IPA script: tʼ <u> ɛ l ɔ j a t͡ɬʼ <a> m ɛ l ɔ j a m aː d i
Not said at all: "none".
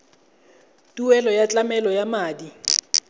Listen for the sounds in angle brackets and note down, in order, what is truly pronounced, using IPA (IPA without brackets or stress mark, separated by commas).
u, a